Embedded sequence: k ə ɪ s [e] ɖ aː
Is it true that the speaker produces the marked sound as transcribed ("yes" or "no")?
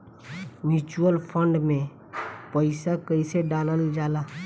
yes